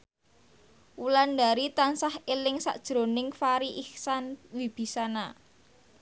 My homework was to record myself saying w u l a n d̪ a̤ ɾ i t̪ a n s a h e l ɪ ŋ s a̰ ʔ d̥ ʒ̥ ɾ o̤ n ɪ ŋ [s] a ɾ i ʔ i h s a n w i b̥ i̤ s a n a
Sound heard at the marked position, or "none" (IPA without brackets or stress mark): f